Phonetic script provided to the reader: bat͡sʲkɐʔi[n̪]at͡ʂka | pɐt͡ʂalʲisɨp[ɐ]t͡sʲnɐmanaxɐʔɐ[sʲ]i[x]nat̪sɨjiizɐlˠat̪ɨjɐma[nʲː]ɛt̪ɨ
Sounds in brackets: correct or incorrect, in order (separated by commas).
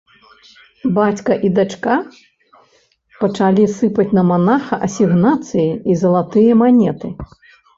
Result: incorrect, correct, correct, incorrect, incorrect